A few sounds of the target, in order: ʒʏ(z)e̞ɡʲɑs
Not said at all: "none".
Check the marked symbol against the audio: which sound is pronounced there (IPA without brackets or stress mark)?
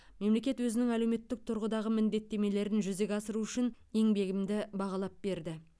z